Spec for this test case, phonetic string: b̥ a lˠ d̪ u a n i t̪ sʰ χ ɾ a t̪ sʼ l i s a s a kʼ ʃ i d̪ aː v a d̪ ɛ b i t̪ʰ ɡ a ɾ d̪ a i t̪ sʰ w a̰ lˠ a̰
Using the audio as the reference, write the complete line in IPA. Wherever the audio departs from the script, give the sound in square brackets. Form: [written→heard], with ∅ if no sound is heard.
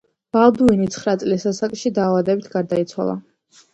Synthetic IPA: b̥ a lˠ d̪ u [a→i] n i t̪ sʰ χ ɾ a t̪ sʼ l i s a s a kʼ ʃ i d̪ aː v a d̪ ɛ b i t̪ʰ ɡ a ɾ d̪ a i t̪ sʰ w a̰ lˠ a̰